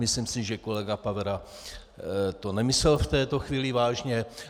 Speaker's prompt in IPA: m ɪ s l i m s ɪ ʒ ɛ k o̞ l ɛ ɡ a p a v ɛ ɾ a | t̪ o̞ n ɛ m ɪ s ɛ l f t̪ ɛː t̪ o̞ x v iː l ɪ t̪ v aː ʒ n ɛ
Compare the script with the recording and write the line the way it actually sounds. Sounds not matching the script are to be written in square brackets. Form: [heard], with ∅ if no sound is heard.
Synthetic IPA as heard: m ɪ s l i m s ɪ ʒ ɛ k o̞ l ɛ ɡ a p a v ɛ ɾ a | t̪ o̞ n ɛ m ɪ s ɛ l f t̪ ɛː t̪ o̞ x v iː l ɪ [∅] v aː ʒ [ɲ] ɛ